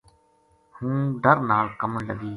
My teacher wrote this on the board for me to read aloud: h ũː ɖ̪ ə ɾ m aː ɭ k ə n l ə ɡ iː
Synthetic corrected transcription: h ũː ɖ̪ ə ɾ n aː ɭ k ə m l ə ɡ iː